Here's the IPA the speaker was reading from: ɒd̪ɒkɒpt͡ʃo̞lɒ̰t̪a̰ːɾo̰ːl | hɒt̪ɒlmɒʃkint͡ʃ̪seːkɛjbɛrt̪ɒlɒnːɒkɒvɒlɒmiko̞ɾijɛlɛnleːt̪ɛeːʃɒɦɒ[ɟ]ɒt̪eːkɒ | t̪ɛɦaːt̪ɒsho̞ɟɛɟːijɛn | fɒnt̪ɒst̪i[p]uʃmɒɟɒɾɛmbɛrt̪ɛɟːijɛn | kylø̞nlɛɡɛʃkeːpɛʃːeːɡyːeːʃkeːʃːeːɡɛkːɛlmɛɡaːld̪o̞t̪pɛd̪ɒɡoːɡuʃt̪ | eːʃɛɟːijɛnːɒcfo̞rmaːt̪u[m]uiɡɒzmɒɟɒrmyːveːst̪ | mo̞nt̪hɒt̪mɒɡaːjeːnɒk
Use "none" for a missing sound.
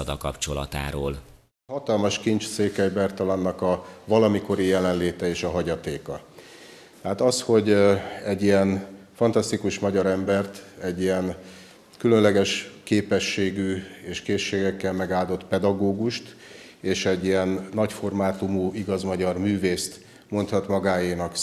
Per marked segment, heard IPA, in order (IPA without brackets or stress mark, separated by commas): ɟ, k, m